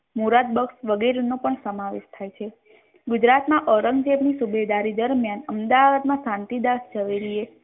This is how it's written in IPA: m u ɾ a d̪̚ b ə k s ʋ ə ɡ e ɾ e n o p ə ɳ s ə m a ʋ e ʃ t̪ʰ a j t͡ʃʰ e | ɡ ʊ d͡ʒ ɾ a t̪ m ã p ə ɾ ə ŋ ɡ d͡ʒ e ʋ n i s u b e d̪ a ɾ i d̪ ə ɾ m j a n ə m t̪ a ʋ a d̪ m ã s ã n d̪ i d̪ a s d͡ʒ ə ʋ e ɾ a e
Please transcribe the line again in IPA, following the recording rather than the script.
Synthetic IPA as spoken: m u ɾ a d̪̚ b ə k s ʋ ə ɡ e ɾ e n o p ə ɳ s ə m a ʋ e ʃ t̪ʰ a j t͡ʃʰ e | ɡ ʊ d͡ʒ ɾ a t̪ m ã ʔ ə ɾ ə ŋ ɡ d͡ʒ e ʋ n i s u b e d̪ a ɾ i d̪ ə ɾ m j a n ə m d̪ a ʋ a d̪ m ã s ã n t̪ i d̪ a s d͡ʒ ə ʋ e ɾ i e